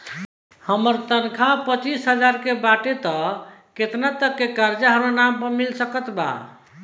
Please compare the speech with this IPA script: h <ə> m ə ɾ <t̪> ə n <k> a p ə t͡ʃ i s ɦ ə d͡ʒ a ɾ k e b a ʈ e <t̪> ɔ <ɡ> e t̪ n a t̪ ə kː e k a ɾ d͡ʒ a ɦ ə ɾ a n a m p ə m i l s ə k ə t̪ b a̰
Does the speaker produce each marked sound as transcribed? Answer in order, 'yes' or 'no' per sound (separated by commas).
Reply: yes, yes, no, yes, no